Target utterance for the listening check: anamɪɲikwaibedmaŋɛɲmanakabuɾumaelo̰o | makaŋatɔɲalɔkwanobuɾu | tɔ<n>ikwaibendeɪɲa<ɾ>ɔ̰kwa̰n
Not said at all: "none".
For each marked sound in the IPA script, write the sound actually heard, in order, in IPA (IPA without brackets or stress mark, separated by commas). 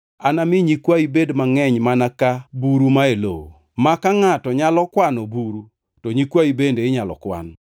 ɲ, l